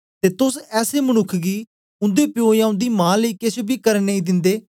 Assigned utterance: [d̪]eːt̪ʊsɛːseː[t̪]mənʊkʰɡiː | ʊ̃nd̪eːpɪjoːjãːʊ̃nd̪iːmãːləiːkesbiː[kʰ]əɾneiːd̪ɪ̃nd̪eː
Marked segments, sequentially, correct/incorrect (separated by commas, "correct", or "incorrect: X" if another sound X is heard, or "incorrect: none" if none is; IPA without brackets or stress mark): incorrect: t̪, incorrect: none, incorrect: k